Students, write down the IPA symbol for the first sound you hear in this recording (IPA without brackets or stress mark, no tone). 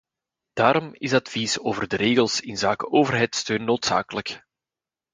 d̥